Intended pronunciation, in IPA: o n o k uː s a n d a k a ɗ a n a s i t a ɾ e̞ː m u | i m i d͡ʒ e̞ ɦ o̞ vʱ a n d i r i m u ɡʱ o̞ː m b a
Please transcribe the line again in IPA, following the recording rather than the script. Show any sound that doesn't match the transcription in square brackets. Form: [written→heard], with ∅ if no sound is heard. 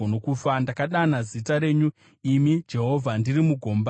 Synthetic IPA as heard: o n o k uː [s→f] a n d a k a ɗ a n a [s→z] i t a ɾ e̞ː [m→ɲ] u | i m i d͡ʒ e̞ ɦ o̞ vʱ a n d i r i m u ɡʱ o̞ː m b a

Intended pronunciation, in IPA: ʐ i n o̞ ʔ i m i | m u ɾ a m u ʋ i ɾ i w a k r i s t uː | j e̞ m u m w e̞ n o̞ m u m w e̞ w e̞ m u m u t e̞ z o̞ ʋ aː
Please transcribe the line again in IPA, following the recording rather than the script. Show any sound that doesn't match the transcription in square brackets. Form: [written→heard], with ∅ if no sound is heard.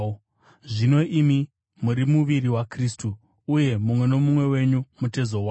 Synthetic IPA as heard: ʐ i n o̞ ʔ i m i | m u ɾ [a→i] m u ʋ i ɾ i w a k r i s t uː | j e̞ m u m w e̞ n o̞ m u m w e̞ w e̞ [m→ɲ] u m u t e̞ z o̞ [ʋ→w] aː

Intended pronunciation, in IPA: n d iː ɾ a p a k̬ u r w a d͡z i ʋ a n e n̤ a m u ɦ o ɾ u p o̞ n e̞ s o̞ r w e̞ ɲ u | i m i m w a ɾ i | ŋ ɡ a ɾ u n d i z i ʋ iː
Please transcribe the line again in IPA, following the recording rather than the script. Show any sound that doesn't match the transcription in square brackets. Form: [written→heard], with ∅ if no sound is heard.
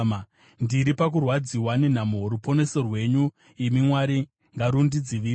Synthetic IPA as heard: n d [iː→i] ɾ [a→i] p a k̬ u r w a d͡z i [ʋ→w] a n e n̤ a m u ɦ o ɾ u p o̞ n e̞ s o̞ r w e̞ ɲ u | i m i m w a ɾ i | ŋ ɡ a ɾ u n d i [z→d͡z] i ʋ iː

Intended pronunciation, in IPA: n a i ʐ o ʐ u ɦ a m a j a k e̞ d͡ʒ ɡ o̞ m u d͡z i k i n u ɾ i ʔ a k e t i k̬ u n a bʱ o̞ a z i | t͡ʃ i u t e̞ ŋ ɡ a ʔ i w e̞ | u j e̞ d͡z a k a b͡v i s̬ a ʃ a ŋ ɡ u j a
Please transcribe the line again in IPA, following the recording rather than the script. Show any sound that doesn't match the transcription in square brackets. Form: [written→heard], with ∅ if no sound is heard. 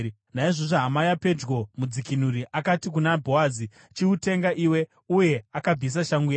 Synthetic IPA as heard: n a i ʐ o ʐ [u→o] ɦ a m a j a [k→p] e̞ d͡ʒ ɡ o̞ m u d͡z i k i n u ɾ i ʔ a k [e→a] t i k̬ u n a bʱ o̞ a z i | t͡ʃ i u t e̞ ŋ ɡ a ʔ i w e̞ | u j e̞ [d͡z→∅] a k a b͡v i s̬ a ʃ a ŋ ɡ u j a

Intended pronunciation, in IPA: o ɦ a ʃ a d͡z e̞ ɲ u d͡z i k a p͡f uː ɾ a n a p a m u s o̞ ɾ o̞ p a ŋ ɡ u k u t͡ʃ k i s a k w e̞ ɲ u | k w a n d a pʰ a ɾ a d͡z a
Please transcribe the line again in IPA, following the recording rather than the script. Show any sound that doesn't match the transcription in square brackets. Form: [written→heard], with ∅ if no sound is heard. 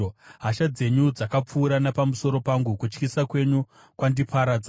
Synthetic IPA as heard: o ɦ a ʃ a d͡z e̞ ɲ u d͡z [i→a] k a p͡f uː ɾ a n a p a m u s o̞ ɾ o̞ p a ŋ ɡ u k u t͡ʃ k i s a k w e̞ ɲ u | k w a n d [a→i] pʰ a ɾ a d͡z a

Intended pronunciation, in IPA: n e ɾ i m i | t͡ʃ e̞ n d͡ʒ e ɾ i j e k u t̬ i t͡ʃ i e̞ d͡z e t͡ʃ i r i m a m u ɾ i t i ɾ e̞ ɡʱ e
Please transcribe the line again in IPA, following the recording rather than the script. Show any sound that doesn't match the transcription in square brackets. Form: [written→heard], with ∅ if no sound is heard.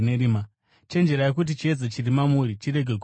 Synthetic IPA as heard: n e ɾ i m [i→a] | t͡ʃ e̞ n d͡ʒ e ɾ [i→a] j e k u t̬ i t͡ʃ i e̞ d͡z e t͡ʃ i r i m a m u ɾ i [t→t͡ʃ] i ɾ e̞ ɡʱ e

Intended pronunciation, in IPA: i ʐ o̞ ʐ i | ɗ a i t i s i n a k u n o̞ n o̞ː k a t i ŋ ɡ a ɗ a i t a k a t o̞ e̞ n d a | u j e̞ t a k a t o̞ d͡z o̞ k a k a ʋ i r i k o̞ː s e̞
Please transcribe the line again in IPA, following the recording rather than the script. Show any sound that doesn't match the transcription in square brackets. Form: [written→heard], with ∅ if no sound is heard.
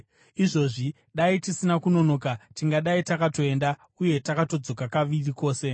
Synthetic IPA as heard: i ʐ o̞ ʐ i | ɗ a i t i s i n a k u n o̞ n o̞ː k a t i ŋ ɡ a ɗ a i t a k a t o̞ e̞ n d a | u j e̞ t a k a t o̞ d͡z o̞ k a k a ʋ i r i k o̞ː s e̞

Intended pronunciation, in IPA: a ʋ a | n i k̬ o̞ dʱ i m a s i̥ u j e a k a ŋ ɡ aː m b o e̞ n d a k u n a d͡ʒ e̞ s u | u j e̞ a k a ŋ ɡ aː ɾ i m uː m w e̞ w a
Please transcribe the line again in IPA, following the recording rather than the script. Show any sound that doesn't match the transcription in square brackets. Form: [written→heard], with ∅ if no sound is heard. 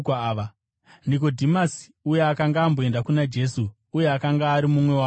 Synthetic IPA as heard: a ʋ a | n i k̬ o̞ dʱ i m a s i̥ u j e a k a ŋ ɡ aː m b o e̞ n d a k u n a d͡ʒ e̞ s u | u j e̞ a k a ŋ ɡ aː ɾ i m [uː→u] m w e̞ w a

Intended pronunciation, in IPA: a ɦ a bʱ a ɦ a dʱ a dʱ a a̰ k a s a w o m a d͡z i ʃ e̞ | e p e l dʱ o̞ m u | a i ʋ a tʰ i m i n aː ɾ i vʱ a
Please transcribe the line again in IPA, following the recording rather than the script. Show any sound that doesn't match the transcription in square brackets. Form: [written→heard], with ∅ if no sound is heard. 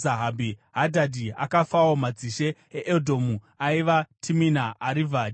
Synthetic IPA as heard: a ɦ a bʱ [a→i] ɦ a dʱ a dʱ [a→i] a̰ k a [s→f] a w o m a d͡z i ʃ e̞ | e [p→ʔ] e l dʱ o̞ m u | a i ʋ a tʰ i m i n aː ɾ i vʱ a

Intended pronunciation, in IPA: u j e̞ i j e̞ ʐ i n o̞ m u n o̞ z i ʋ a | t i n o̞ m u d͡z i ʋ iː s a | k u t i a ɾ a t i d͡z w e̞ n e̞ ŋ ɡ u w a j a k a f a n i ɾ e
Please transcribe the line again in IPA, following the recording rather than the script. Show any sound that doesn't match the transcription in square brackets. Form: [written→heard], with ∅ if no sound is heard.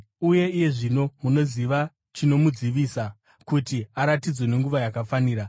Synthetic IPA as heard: u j e̞ i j e̞ ʐ i n o̞ m u n o̞ z i ʋ a | [t→t͡ʃ] i n o̞ m u d͡z i ʋ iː s a | k u t i a ɾ a t i d͡z w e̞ n e̞ ŋ ɡ u [w→ʋ] a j a k a f a n [i→iː] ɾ [e→a]

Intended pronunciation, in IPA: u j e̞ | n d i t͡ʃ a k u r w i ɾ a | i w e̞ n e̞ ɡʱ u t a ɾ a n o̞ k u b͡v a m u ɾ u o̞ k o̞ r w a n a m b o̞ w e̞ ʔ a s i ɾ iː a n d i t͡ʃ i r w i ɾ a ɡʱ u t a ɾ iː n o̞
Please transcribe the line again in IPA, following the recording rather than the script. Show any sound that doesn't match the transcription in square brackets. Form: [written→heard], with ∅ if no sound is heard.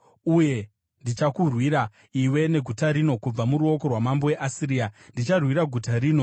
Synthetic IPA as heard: u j e̞ | n d i t͡ʃ a k u r w i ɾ a | i w e̞ n e̞ ɡʱ u t a ɾ [a→i] n o̞ k u b͡v a m u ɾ u o̞ k o̞ r w a [n→m] a m b o̞ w e̞ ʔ a s i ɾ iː a n d i t͡ʃ [i→a] r w i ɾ a ɡʱ u t a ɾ iː n o̞

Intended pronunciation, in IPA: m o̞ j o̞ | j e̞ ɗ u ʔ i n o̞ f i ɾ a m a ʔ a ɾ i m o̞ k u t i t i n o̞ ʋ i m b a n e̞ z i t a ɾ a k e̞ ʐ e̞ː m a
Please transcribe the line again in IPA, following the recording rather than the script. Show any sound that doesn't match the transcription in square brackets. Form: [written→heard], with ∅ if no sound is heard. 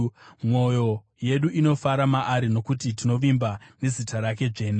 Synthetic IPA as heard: m o̞ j o̞ | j e̞ ɗ u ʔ i n o̞ f [i→a] ɾ a m a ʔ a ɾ i [m→n] o̞ k u t i t i n o̞ ʋ i m b a n e̞ z i t a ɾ a k e̞ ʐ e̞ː [m→n] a

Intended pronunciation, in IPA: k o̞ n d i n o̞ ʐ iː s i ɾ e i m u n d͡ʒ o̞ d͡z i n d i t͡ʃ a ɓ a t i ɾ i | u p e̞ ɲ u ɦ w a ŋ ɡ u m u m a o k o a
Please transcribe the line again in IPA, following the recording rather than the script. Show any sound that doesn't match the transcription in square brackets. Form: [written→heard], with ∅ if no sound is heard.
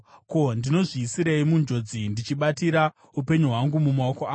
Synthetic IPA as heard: k o̞ n d i n o̞ ʐ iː s i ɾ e i m u n d͡ʒ o̞ d͡z i n d i t͡ʃ [a→i] ɓ a t i ɾ [i→a] | u p e̞ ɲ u ɦ w a ŋ ɡ u m u m a o k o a

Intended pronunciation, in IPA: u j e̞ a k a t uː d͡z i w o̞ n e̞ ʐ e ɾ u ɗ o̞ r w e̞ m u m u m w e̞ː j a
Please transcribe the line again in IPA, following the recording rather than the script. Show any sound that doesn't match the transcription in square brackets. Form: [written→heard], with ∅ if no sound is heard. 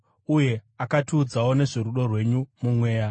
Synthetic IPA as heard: u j e̞ a k a t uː d͡z [i→a] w o̞ n e̞ ʐ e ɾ u ɗ o̞ r w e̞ [m→ɲ] u m u m w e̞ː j a

